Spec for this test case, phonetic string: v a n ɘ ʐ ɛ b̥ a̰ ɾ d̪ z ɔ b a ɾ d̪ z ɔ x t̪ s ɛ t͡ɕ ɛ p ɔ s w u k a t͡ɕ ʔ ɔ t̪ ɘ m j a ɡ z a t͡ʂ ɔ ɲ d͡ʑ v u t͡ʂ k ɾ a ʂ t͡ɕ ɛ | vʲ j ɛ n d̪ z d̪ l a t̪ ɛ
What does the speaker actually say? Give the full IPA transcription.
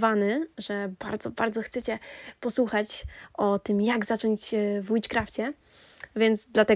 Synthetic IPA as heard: v a n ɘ ʐ ɛ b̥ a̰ ɾ d̪ z ɔ b a ɾ d̪ z ɔ x t̪ s ɛ t͡ɕ ɛ p ɔ s w u x a t͡ɕ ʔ ɔ t̪ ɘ m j a ɡ z a t͡ʂ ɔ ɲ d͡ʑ v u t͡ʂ k ɾ a f t͡ɕ ɛ | vʲ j ɛ n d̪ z d̪ l a t̪ ɛ